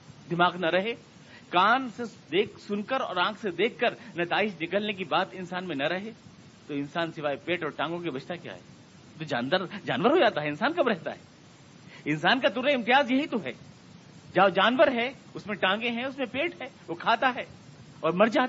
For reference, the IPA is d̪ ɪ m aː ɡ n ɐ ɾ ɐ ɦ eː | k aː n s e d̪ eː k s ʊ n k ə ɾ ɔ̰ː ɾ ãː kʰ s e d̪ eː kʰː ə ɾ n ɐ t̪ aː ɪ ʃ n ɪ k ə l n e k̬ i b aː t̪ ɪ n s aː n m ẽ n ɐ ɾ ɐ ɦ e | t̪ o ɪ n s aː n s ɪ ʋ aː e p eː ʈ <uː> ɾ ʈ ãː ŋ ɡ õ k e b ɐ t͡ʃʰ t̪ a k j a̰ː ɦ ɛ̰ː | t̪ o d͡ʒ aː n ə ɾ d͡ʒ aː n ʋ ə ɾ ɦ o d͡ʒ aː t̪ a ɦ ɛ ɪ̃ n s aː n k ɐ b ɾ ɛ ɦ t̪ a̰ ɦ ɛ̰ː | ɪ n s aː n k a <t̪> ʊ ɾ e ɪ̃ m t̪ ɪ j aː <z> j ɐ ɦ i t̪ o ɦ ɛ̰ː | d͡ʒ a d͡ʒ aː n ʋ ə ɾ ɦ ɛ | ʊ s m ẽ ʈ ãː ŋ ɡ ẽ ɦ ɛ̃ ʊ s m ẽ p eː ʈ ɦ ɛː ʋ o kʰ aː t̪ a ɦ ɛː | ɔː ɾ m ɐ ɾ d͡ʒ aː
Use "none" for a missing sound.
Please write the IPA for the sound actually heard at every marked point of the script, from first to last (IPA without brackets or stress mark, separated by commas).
ɔː, t̪, z